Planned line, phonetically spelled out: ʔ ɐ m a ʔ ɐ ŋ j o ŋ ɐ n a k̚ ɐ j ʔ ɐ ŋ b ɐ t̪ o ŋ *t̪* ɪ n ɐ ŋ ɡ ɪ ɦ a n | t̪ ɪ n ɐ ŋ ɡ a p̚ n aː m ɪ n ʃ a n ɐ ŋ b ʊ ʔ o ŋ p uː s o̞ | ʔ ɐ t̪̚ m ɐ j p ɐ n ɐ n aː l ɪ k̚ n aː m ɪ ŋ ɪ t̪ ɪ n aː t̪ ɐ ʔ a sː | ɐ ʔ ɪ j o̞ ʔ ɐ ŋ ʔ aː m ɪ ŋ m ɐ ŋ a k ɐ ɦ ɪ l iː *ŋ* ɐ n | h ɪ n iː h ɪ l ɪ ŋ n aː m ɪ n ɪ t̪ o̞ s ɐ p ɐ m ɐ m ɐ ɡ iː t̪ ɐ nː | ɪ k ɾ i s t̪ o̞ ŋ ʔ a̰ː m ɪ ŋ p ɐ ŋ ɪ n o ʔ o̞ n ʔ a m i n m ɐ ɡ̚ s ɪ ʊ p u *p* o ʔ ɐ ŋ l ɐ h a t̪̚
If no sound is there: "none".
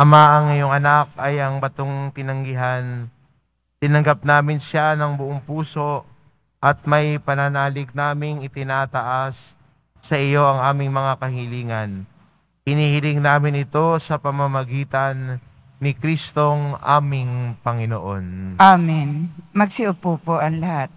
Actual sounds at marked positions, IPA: t̪, ŋ, p

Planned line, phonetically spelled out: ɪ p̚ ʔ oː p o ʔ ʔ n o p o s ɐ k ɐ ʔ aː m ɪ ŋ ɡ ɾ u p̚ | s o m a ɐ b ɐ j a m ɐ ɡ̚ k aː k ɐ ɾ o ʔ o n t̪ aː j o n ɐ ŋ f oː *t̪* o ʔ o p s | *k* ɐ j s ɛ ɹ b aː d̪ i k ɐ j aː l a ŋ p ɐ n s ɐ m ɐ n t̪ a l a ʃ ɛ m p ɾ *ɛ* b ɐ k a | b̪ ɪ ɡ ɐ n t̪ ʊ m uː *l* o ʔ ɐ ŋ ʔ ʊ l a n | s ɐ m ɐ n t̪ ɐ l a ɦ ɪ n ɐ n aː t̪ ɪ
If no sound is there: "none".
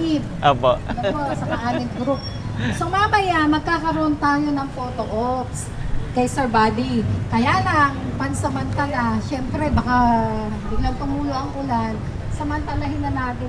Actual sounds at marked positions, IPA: t̪, k, ɛ, l

